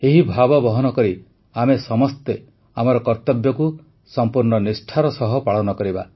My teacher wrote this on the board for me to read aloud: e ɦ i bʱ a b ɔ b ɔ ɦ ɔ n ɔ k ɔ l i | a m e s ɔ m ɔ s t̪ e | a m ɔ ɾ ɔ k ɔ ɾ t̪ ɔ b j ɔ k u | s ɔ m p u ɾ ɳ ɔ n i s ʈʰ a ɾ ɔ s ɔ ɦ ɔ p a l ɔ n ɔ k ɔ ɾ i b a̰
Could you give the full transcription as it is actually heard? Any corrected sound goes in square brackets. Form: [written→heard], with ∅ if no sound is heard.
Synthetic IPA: e ɦ i bʱ a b ɔ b ɔ ɦ ɔ n ɔ k ɔ [l→ɾ] i | a m e s ɔ m ɔ s t̪ e | a m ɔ ɾ ɔ k ɔ ɾ t̪ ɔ b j ɔ k u | s ɔ m p u ɾ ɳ ɔ n i s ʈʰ a ɾ ɔ s ɔ ɦ ɔ p a [l→ɭ] ɔ n ɔ k ɔ ɾ i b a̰